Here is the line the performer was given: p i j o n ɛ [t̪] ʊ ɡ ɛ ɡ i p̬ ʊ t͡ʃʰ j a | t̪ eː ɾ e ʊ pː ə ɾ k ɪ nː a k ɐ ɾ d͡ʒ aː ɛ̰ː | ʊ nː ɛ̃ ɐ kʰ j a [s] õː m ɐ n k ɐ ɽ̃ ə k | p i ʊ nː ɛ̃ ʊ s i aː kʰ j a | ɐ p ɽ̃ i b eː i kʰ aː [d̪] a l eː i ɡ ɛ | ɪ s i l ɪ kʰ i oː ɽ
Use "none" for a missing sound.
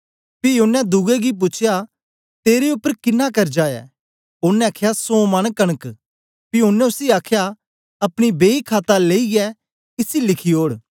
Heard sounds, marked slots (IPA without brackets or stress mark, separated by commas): d̪, s, t̪